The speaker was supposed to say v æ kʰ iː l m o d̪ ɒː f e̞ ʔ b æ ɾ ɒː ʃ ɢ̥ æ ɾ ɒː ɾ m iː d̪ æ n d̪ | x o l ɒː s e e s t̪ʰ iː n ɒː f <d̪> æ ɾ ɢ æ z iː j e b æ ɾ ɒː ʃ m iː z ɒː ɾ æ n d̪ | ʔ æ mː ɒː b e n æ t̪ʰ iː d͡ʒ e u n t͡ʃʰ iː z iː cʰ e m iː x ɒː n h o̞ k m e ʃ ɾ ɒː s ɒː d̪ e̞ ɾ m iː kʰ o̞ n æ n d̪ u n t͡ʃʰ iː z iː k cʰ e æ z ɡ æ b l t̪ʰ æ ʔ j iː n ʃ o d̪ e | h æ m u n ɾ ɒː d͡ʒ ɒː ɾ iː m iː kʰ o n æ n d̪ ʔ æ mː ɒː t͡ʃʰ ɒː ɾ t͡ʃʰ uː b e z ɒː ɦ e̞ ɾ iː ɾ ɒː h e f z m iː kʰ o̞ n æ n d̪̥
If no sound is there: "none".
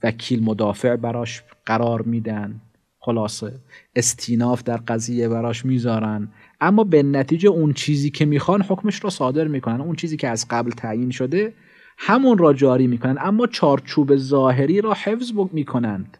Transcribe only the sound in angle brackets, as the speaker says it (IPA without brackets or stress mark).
d̪